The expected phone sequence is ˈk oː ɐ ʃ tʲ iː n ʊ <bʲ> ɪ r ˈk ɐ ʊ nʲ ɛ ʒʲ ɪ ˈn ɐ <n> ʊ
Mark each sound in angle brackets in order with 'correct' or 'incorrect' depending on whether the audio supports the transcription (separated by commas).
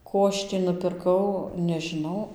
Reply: incorrect, incorrect